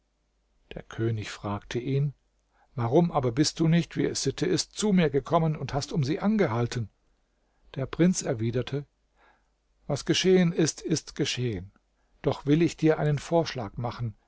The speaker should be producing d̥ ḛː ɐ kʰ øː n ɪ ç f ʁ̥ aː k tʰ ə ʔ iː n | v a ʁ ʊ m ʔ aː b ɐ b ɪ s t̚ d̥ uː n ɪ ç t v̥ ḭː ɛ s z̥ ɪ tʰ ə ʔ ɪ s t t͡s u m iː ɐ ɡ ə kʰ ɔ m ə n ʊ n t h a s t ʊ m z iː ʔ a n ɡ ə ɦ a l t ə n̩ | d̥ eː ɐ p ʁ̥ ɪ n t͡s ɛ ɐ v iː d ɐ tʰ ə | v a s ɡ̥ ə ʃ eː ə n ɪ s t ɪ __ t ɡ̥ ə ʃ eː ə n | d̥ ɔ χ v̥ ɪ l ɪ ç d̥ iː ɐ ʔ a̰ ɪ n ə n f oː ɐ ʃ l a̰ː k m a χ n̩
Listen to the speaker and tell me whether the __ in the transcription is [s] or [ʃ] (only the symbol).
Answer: s